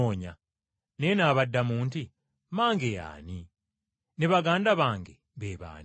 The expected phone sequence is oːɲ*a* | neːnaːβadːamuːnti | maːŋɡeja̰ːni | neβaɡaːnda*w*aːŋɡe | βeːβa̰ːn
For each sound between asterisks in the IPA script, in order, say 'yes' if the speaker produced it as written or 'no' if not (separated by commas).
yes, no